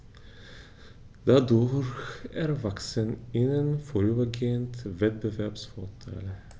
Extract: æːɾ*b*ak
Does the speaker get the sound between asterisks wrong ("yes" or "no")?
yes